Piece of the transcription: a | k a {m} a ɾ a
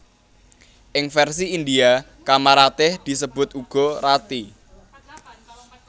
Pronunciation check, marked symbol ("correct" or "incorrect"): correct